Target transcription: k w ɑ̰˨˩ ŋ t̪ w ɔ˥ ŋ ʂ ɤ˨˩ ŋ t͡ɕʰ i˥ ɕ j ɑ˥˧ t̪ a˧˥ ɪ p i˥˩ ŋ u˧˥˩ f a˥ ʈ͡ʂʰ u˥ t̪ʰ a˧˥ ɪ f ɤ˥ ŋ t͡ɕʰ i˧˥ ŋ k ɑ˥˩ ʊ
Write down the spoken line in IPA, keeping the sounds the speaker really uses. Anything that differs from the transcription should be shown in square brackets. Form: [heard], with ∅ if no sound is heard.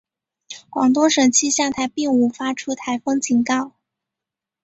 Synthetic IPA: k w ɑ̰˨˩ ŋ t̪ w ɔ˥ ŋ ʂ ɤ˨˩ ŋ t͡ɕʰ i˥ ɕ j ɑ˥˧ [t̪ʰ] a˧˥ ɪ p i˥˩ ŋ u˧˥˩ f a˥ ʈ͡ʂʰ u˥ t̪ʰ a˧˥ ɪ f ɤ˥ ŋ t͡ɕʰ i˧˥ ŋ k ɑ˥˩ ʊ